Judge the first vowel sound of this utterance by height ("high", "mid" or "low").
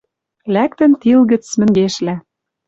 low